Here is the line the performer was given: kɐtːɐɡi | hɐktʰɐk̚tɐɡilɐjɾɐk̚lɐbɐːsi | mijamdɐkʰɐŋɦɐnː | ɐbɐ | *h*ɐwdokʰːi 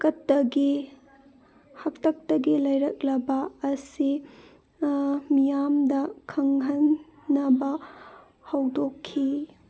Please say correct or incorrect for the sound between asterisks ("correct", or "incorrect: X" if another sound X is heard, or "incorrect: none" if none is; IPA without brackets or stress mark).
correct